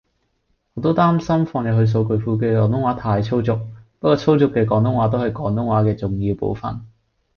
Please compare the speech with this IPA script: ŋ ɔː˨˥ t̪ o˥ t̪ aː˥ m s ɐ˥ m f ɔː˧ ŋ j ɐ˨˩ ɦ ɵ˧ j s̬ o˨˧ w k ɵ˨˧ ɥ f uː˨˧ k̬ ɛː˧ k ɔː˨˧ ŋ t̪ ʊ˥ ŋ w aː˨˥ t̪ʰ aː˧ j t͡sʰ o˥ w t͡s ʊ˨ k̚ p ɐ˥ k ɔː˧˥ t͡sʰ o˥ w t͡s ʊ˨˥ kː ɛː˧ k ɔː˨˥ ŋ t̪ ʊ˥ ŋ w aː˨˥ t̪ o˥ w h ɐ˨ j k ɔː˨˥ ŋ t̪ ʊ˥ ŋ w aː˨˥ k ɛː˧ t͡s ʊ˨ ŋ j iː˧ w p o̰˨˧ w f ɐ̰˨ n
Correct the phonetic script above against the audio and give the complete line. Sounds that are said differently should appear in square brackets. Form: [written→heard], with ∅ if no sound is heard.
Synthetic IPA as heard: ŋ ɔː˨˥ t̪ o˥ t̪ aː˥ m s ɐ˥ m f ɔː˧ ŋ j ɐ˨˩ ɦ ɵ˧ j s̬ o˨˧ w k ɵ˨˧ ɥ f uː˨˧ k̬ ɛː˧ k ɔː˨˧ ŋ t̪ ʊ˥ ŋ w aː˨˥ t̪ʰ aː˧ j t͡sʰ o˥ w t͡s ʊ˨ k̚ p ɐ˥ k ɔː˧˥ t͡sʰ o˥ w t͡s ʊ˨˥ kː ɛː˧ k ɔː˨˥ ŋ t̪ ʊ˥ ŋ w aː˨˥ t̪ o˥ w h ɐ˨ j k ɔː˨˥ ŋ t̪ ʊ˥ ŋ w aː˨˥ k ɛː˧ t͡s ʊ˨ ŋ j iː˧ w p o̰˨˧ w f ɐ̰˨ n